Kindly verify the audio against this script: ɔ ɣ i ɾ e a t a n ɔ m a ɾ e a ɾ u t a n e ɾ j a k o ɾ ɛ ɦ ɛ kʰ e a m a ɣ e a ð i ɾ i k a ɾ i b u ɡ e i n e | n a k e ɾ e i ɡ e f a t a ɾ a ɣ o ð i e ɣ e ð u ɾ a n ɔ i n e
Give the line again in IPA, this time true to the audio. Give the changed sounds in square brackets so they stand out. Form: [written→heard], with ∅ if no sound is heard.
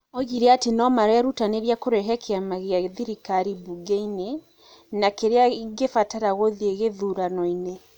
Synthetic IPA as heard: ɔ ɣ i ɾ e a t [a→e] n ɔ m a ɾ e a ɾ u t a n e ɾ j a k o ɾ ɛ ɦ ɛ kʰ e a m a ɣ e a ð i ɾ i k a ɾ i b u ɡ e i n e | n a k e ɾ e [i→a] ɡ e f a t a ɾ a ɣ o ð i e ɣ e ð u ɾ a n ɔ i n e